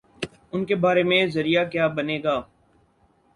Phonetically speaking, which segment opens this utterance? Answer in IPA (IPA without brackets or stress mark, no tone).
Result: ʊ